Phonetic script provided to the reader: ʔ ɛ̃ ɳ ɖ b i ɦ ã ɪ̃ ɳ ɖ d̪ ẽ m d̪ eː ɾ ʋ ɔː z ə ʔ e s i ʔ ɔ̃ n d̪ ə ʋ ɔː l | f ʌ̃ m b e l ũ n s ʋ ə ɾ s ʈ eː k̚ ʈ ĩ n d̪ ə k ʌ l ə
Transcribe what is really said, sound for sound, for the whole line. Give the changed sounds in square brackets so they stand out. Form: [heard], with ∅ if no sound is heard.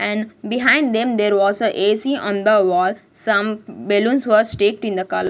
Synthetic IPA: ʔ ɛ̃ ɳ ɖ b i ɦ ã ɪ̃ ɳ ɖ d̪ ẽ m d̪ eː ɾ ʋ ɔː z ə ʔ e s i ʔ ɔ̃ n d̪ ə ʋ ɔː l | [s] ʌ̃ m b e l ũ n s ʋ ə ɾ s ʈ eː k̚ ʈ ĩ n d̪ ə k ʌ l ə